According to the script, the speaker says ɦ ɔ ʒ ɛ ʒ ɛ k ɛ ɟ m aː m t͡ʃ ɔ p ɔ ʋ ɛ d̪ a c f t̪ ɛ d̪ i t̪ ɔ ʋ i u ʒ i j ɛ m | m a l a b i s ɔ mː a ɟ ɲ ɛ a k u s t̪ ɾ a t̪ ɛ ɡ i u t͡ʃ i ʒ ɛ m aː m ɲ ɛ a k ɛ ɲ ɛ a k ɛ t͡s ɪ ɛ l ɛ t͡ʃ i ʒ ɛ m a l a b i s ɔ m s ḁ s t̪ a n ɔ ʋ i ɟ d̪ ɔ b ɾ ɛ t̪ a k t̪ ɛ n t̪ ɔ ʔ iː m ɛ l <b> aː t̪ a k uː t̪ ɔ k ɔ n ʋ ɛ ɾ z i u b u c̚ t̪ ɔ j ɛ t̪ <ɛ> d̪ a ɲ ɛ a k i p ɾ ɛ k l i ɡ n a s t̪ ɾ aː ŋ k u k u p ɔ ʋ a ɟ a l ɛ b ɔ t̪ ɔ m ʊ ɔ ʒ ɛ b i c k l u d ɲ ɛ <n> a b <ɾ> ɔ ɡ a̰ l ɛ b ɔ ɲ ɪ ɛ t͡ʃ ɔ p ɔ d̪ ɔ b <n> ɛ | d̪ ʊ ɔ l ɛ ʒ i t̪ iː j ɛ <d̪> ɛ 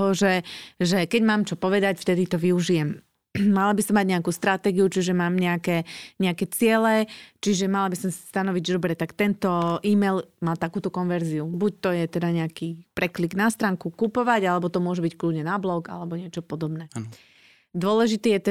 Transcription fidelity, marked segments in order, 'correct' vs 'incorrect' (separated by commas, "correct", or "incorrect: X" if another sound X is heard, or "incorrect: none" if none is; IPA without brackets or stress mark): incorrect: m, correct, correct, incorrect: l, correct, incorrect: t̪